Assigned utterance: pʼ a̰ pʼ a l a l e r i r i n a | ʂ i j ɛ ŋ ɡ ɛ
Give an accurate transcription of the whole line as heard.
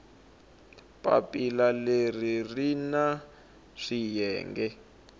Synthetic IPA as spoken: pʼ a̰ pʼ i l a l e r i r i n a | ʂ i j ɛː ŋ ɡ ɛ